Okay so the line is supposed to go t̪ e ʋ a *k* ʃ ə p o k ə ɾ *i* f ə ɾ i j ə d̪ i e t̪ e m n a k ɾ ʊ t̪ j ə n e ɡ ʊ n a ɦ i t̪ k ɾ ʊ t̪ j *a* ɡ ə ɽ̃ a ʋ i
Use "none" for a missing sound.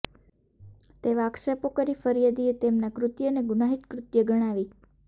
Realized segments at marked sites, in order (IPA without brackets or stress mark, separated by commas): k, i, ə